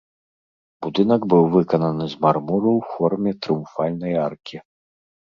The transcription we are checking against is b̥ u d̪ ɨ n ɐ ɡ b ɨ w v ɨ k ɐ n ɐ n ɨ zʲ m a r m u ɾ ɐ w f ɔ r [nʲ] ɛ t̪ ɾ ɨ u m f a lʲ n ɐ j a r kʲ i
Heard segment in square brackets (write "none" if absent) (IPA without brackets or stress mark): mʲ